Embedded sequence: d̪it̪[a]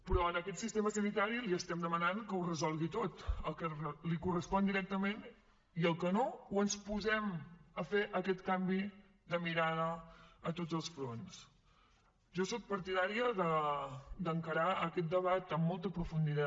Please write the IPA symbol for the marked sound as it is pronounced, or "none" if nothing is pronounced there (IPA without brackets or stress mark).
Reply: a